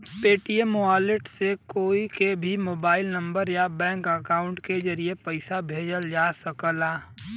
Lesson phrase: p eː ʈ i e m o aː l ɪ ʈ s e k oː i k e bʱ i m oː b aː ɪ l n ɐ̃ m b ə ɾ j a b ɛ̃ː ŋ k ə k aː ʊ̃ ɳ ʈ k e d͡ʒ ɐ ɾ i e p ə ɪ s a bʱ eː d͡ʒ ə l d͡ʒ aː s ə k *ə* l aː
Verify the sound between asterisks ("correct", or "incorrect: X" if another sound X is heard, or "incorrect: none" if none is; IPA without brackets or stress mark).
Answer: correct